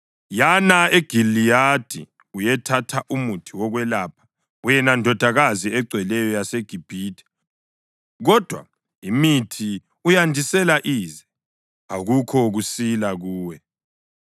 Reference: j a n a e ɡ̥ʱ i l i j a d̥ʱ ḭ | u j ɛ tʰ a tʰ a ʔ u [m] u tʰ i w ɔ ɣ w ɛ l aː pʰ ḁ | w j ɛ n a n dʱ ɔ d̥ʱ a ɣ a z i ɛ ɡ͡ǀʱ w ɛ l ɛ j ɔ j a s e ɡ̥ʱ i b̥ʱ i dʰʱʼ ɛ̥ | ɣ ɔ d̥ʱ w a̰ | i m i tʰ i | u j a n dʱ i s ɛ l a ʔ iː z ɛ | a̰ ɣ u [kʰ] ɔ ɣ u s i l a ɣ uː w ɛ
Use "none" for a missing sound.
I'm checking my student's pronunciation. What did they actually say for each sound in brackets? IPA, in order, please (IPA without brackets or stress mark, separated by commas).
m, kʰ